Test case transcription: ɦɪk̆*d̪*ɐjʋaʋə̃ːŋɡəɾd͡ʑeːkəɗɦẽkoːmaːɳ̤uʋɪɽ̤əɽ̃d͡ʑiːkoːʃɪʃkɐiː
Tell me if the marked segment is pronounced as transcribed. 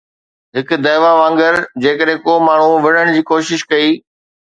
yes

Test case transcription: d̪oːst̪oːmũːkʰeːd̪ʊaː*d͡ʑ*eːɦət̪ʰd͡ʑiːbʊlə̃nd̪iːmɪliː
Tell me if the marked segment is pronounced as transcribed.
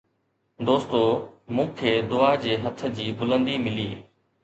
yes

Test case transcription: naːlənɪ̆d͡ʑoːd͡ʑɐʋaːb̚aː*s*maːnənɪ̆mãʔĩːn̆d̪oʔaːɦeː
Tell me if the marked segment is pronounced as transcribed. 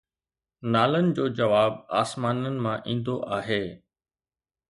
yes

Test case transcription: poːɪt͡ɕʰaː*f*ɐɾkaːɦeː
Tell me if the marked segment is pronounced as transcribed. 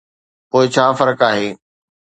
yes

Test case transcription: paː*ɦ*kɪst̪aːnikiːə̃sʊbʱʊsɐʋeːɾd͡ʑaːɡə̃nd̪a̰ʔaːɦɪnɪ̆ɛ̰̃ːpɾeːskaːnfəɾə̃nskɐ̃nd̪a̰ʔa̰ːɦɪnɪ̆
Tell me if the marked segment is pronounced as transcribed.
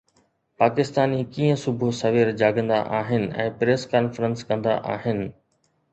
no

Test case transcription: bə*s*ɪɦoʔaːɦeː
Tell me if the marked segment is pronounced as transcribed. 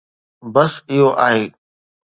yes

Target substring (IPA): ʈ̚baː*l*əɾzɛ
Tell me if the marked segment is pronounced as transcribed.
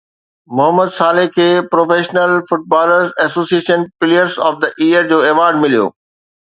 yes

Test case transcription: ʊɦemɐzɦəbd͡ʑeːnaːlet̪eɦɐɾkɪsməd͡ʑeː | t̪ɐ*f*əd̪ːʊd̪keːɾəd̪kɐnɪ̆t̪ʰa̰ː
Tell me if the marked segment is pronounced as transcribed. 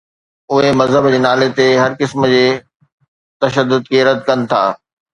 no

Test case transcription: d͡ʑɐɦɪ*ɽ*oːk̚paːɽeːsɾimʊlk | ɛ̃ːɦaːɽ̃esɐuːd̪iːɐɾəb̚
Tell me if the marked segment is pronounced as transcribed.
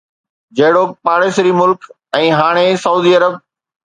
yes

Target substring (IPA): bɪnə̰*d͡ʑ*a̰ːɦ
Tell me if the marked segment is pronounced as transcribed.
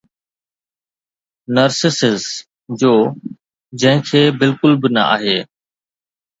no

